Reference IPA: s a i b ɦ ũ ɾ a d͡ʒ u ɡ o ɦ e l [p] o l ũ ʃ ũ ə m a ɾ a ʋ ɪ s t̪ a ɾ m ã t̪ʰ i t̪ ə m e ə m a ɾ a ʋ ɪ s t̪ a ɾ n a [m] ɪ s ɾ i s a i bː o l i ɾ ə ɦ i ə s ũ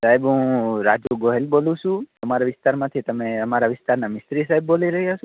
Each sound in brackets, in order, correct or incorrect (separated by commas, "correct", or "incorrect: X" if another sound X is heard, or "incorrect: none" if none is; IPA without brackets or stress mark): incorrect: b, correct